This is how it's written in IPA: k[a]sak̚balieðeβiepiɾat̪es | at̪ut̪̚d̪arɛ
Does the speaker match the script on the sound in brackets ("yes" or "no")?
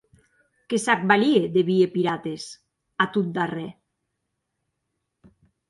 no